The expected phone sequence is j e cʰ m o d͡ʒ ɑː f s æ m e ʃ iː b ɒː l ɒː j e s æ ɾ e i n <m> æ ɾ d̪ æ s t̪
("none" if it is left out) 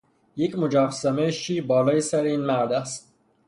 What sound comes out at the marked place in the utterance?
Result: m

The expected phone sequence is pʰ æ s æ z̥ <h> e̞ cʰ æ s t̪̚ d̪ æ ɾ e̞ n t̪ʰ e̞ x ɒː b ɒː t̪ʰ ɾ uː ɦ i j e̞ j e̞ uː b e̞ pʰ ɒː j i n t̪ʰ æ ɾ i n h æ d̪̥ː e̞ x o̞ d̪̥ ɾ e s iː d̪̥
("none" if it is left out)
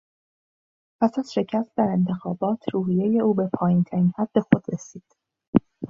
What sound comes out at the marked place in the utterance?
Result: ʃ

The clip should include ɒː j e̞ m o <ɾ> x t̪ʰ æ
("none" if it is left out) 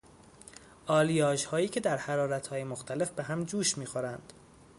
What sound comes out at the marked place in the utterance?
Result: none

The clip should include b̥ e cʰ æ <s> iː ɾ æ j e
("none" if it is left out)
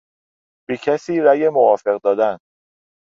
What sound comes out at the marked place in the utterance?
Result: s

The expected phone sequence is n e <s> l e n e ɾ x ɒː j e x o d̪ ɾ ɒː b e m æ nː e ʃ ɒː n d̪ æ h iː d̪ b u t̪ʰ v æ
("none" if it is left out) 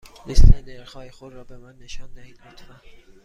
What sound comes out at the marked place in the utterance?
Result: s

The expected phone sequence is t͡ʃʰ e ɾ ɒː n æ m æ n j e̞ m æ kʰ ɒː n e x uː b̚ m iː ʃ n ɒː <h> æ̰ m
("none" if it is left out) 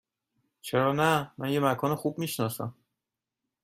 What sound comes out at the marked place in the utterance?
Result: s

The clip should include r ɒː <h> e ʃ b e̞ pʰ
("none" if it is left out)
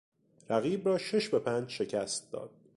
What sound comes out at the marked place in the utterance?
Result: ʃ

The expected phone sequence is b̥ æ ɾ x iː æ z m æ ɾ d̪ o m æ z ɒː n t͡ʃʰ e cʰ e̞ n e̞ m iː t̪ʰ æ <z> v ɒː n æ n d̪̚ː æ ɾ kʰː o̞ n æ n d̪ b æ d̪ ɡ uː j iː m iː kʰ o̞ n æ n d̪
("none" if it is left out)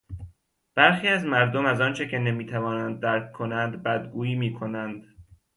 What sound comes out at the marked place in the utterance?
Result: none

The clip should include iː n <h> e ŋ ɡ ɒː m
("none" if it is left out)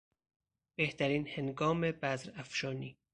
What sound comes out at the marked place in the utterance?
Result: h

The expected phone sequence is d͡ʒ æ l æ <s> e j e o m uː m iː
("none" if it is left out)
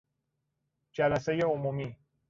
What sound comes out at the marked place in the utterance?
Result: s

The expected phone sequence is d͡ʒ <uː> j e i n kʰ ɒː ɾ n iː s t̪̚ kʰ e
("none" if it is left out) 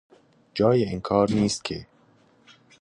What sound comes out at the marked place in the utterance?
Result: ɒː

